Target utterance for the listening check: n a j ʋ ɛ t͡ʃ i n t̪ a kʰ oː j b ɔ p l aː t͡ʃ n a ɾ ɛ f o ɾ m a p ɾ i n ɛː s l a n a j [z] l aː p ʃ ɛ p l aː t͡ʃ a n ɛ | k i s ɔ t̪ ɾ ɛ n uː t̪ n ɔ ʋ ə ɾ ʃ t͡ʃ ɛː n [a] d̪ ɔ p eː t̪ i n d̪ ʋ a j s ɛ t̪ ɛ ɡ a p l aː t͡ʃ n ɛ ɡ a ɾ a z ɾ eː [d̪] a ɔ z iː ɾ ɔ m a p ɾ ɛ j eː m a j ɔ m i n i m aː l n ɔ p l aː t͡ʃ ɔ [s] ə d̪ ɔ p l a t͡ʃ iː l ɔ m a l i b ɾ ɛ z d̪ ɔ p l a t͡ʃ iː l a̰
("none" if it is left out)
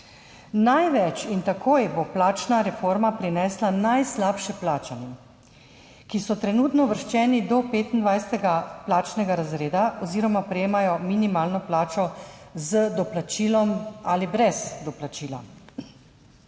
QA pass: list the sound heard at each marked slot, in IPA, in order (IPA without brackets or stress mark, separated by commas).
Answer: s, i, d̪, z